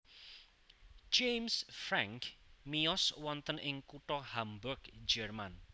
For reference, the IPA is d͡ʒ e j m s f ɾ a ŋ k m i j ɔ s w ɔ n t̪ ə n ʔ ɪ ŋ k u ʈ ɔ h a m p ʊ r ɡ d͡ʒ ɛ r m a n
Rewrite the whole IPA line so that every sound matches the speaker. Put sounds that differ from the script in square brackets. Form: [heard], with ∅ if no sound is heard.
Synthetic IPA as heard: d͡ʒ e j m s f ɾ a ŋ k m i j ɔ s w ɔ n t̪ ə n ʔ ɪ ŋ k u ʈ ɔ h a m [b] ʊ r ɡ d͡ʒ ɛ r m a n